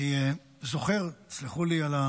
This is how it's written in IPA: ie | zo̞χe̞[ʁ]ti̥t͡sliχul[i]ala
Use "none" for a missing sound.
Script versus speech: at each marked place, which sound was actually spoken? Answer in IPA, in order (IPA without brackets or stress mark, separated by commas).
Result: ʁ, i